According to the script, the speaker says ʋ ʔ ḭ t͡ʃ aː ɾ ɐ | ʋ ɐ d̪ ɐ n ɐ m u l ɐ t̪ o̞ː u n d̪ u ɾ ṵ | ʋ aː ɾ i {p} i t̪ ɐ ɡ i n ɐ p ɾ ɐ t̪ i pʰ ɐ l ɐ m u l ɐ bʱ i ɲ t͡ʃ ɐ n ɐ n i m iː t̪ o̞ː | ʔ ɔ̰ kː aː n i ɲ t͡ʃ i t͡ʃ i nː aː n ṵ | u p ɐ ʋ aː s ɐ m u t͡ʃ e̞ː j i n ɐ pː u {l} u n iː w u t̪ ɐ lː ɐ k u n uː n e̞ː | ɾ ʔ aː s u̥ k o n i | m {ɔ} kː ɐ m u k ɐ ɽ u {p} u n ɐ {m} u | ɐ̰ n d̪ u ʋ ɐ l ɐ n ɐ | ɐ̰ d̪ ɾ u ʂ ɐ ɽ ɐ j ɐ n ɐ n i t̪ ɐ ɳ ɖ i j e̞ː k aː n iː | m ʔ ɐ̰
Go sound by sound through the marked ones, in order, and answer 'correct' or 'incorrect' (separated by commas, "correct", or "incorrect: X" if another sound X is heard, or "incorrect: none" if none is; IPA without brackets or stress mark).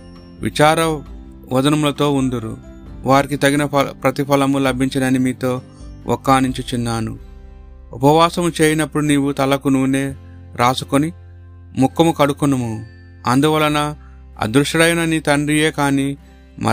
incorrect: k, incorrect: ɽ, incorrect: u, incorrect: k, correct